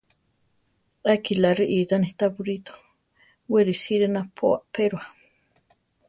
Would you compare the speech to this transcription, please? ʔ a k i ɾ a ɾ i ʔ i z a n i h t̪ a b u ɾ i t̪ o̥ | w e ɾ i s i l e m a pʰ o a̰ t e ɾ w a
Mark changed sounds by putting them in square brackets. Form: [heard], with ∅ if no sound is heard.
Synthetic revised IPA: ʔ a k i [l] a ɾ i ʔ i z a n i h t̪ a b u ɾ i t̪ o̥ | w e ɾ i s i [ɾ] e [n] a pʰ o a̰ [p] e ɾ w a